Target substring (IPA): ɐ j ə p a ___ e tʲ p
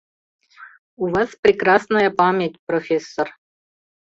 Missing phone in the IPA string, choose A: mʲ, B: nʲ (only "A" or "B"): A